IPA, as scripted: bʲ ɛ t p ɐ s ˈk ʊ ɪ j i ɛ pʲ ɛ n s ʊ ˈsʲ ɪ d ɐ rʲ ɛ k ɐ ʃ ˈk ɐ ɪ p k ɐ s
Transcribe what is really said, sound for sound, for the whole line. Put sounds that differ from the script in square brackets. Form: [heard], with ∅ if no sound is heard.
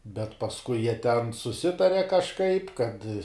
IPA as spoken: bʲ ɛ t p ɐ s ˈk ʊ ɪ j i ɛ [tʲ] ɛ n s ʊ ˈsʲ ɪ [t] ɐ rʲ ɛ k ɐ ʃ ˈk ɐ ɪ p k ɐ [t]